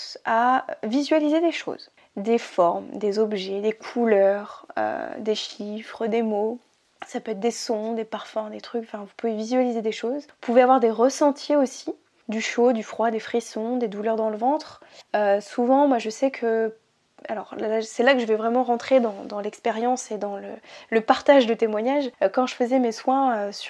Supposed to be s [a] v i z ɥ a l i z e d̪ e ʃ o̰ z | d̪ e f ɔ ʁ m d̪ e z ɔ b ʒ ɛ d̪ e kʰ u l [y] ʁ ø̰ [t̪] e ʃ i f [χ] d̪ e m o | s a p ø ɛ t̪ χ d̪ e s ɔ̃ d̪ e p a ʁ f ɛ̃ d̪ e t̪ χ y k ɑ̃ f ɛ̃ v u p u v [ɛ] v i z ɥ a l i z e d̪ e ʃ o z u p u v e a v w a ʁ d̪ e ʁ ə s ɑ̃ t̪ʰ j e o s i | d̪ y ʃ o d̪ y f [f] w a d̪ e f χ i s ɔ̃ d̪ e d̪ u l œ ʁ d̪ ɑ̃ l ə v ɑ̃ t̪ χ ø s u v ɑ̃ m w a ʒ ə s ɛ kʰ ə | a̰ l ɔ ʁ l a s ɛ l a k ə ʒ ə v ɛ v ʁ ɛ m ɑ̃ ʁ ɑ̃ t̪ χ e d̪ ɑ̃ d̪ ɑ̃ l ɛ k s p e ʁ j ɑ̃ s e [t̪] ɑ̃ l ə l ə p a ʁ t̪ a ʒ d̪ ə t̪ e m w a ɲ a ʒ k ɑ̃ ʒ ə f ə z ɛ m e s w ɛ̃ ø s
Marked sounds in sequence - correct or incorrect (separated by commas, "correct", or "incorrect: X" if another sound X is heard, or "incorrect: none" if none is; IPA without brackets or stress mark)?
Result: correct, incorrect: œ, incorrect: d̪, correct, incorrect: e, incorrect: χ, incorrect: d̪